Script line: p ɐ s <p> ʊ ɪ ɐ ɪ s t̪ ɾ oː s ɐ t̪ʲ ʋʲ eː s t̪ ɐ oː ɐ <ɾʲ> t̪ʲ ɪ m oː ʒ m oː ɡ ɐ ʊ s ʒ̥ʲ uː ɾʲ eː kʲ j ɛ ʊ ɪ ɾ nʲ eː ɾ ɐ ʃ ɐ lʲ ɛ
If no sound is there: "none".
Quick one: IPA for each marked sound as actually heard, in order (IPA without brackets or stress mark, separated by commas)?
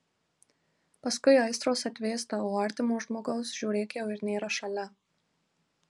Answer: k, ɾʲ